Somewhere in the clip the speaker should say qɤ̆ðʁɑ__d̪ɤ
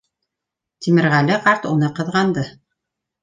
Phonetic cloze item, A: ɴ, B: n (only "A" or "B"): B